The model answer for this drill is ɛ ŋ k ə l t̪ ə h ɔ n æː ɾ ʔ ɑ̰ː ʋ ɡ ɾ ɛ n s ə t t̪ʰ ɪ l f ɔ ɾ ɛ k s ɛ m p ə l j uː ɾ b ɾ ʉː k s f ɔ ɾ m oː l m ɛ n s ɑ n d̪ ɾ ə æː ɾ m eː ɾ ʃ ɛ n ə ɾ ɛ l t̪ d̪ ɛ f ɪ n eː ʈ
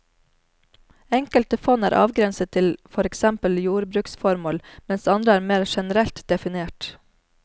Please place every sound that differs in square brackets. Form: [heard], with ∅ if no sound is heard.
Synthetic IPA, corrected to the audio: ɛ ŋ k ə l t̪ ə [f] ɔ n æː ɾ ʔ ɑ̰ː ʋ ɡ ɾ ɛ n s ə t t̪ʰ ɪ l f ɔ ɾ ɛ k s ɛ m p ə l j uː ɾ b ɾ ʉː k s f ɔ ɾ m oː l m ɛ n s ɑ n d̪ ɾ ə æː ɾ m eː ɾ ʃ ɛ n ə ɾ ɛ l t̪ d̪ ɛ f ɪ n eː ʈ